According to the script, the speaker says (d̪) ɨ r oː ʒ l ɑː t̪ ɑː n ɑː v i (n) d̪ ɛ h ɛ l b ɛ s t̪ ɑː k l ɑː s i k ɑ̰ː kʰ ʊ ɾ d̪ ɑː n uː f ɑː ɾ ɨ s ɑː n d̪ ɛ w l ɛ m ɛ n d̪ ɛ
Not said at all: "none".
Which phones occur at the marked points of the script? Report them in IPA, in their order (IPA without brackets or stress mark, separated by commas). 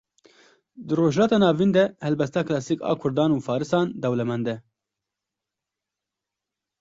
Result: d̪, n